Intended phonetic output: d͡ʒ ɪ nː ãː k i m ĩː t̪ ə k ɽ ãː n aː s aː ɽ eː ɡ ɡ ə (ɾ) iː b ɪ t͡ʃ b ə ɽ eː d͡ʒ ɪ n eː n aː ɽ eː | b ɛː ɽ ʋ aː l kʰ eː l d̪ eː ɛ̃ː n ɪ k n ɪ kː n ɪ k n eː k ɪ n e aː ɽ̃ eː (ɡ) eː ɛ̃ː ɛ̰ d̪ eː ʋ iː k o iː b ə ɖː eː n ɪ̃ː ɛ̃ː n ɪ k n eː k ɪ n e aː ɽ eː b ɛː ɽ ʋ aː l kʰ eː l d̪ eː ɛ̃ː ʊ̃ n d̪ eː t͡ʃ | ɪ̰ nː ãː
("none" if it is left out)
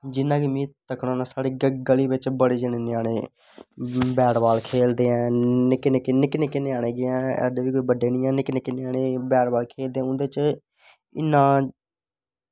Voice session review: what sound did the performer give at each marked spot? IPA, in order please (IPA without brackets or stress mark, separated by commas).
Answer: l, ɡ